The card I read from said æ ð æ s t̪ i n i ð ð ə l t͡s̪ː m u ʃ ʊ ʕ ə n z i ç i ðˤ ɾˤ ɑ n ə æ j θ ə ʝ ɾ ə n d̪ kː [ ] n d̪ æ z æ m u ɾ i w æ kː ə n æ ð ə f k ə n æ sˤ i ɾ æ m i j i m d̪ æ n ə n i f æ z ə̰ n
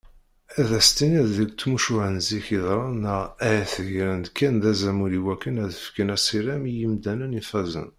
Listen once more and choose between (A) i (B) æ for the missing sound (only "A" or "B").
B